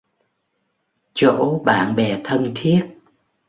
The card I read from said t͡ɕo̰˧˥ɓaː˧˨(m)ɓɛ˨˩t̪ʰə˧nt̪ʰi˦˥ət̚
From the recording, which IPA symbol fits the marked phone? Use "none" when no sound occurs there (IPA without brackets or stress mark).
n